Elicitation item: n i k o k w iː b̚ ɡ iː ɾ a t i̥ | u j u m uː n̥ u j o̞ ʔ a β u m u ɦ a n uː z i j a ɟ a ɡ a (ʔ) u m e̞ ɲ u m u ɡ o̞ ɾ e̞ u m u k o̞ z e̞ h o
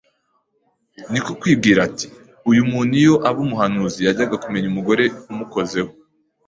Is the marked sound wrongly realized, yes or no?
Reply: yes